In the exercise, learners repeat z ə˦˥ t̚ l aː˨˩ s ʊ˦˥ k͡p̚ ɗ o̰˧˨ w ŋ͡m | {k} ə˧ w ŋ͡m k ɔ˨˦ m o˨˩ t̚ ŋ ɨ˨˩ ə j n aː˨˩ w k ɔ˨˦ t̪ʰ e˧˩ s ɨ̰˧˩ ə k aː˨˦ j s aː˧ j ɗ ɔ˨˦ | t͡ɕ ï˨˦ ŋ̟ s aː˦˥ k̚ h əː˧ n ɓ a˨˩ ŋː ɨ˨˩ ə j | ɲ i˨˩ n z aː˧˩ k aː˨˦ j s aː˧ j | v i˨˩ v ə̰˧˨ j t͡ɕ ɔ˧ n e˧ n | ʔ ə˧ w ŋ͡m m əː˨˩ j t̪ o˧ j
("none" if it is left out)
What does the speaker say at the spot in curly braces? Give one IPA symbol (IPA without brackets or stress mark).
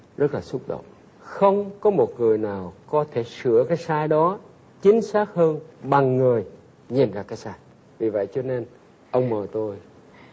x